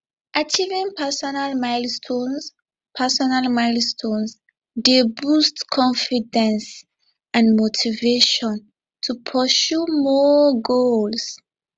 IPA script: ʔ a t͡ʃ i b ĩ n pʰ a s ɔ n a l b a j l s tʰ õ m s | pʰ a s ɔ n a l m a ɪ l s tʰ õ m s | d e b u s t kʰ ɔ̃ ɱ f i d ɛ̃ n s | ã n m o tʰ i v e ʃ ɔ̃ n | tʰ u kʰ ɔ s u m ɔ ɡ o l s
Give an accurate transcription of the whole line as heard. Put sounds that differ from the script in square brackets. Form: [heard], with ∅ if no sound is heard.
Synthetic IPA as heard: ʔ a t͡ʃ i [v] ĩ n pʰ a s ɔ n a l [m] a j l s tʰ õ [n] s | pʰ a s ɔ n a l m a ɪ l s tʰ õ [n] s | d e b u s t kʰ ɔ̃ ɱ f i d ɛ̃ n s | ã n m o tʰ i v e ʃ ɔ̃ n | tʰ u [pʰ] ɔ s u m ɔ ɡ o l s

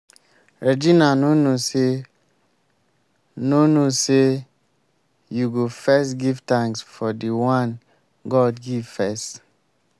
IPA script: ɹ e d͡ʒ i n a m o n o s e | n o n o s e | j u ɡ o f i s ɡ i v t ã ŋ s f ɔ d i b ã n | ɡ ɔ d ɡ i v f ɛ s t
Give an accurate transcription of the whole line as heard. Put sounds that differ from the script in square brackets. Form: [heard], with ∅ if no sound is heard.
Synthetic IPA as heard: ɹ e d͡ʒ i n a [n] o n o s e | n o n o s e | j u ɡ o f [ɛ] s ɡ i v t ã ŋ s f ɔ d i [w] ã n | ɡ ɔ d ɡ i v f ɛ s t

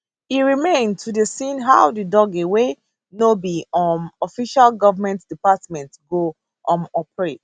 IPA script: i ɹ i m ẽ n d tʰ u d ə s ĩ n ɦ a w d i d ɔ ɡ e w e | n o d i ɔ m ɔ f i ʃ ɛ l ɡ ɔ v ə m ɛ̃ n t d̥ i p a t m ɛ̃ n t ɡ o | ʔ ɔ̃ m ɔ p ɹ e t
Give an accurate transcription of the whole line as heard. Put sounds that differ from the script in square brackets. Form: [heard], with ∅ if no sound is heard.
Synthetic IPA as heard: i ɹ i m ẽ n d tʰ u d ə s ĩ n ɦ a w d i d ɔ ɡ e w e | n o [b] i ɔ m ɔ f i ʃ [a] l ɡ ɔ v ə m ɛ̃ n t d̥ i p a t m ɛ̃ n t ɡ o | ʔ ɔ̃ m ɔ p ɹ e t

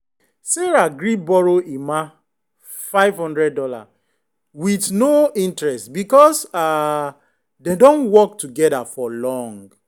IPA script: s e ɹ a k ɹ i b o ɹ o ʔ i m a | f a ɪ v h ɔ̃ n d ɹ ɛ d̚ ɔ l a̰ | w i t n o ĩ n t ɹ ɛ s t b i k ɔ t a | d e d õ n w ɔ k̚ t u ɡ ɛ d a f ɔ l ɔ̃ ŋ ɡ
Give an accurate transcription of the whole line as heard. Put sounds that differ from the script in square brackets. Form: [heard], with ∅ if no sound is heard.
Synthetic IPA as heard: s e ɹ a [ɡ] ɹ i b [ɔ] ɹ o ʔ i m a | f a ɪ v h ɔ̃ n d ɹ ɛ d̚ ɔ l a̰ | w i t n o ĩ n t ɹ ɛ s t b i k ɔ [s] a | d e d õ n w ɔ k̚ t u ɡ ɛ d a f ɔ l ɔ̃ ŋ ɡ

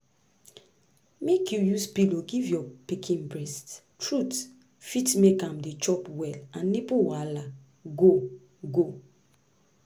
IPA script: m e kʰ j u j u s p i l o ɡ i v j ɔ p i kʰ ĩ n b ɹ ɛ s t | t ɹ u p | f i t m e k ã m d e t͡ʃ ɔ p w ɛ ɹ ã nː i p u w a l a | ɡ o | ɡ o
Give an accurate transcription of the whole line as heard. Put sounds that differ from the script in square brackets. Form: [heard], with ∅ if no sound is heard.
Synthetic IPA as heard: m e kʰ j u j u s p i l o ɡ i v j ɔ p i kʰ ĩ n b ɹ ɛ s t | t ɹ u [t] | f i t m e k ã m d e t͡ʃ ɔ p w ɛ [l] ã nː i p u w a l a | ɡ o | ɡ o

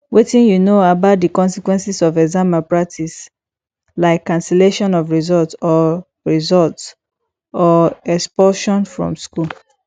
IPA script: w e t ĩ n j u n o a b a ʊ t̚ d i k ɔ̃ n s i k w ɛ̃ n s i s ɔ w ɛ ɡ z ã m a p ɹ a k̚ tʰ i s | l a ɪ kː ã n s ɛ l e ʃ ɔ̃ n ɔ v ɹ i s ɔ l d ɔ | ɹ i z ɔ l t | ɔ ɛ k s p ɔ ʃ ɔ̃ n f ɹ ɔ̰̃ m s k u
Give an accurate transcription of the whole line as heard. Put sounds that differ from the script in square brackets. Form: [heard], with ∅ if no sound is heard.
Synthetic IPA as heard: w e t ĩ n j u n o a b a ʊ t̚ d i k ɔ̃ n s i k w ɛ̃ n s i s ɔ [v] ɛ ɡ z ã m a p ɹ a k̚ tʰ i s | l a ɪ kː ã n s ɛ l e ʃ ɔ̃ n ɔ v ɹ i [z] ɔ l [t] ɔ | ɹ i z ɔ l t | ɔ ɛ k s p ɔ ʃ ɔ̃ n f ɹ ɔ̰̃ m s k u

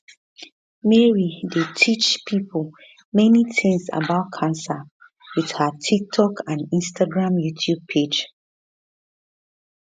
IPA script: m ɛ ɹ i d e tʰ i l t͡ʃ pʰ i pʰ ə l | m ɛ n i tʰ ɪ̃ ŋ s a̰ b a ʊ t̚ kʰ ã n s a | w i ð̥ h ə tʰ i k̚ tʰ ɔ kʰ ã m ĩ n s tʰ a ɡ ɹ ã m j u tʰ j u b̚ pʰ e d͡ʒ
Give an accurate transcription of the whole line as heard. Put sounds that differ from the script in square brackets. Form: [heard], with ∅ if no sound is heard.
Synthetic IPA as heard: m ɛ ɹ i d e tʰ i [∅] t͡ʃ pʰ i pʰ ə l | m ɛ n i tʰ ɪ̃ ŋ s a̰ b a ʊ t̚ kʰ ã n s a | w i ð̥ h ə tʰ i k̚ tʰ ɔ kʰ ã [n] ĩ n s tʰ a ɡ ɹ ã m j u tʰ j u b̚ pʰ e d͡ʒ

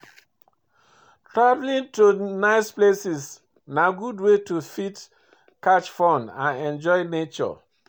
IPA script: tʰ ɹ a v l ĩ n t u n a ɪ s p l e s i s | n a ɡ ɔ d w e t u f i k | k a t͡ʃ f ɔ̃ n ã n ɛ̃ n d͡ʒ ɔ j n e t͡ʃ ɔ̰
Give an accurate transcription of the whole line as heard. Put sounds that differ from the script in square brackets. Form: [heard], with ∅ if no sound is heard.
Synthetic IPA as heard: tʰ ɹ a v l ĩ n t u n a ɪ s p l e s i s | n a ɡ [u] d w e t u f i [t] | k a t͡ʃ f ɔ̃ n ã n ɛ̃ n d͡ʒ ɔ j n e t͡ʃ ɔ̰

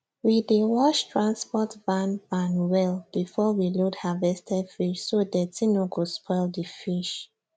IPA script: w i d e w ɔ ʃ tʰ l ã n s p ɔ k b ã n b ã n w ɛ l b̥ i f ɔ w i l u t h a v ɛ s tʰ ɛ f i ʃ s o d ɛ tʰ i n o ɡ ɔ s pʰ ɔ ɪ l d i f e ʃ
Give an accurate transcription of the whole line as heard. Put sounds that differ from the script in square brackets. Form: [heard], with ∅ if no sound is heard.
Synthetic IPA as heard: w i d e w ɔ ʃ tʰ [ɹ] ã n s p ɔ [t] b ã n b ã n w ɛ l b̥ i f ɔ w i l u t h a v ɛ s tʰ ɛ f i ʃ s o d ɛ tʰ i n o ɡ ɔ s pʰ ɔ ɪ l d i f [i] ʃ

